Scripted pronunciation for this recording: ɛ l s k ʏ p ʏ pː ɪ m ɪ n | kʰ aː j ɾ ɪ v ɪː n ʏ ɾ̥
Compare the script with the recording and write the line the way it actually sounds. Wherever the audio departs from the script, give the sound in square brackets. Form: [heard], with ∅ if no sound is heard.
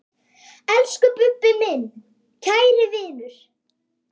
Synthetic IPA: ɛ l s k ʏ p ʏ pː ɪ m ɪ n | [cʰ] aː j ɾ ɪ v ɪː n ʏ ɾ̥

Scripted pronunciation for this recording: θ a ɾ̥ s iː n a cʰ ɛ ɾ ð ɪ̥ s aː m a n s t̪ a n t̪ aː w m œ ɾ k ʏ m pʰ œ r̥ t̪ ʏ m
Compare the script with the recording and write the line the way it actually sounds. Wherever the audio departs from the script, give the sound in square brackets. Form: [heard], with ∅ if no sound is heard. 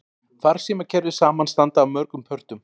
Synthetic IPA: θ a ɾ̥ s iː [m] a cʰ ɛ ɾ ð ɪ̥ s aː m a n s t̪ a n t̪ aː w m œ ɾ k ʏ m pʰ œ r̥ t̪ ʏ m

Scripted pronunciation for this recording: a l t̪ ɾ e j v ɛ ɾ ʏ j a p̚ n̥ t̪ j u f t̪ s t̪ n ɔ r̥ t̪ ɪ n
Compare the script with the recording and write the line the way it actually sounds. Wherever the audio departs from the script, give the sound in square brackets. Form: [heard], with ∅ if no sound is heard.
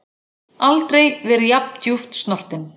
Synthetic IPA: a l t̪ ɾ e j v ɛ ɾ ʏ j a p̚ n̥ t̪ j u f t̪ s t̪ n ɔ r̥ t̪ ɪ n

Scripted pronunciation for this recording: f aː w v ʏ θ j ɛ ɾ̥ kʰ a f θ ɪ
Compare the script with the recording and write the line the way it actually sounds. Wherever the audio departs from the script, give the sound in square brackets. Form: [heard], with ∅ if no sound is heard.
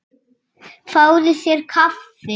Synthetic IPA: f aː w [ð] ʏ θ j ɛ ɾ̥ kʰ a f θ ɪ

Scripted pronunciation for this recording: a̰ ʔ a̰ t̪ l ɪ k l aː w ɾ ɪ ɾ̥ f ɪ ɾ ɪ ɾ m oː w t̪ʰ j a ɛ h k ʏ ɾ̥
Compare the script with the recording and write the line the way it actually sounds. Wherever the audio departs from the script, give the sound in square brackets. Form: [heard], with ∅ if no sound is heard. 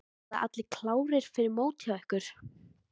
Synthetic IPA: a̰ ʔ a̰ t̪ l ɪ [kʰ] l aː w ɾ ɪ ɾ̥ f ɪ ɾ ɪ ɾ m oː w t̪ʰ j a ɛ h k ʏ ɾ̥

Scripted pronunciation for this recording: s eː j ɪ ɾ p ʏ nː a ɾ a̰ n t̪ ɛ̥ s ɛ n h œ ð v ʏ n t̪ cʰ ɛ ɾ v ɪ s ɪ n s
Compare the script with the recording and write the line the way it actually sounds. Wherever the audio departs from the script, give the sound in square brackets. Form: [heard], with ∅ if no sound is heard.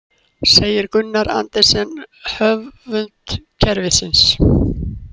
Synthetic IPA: s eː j ɪ ɾ [k] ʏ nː a ɾ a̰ n t̪ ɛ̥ s ɛ n h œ [v] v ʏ n t̪ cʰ ɛ ɾ v ɪ s ɪ n s

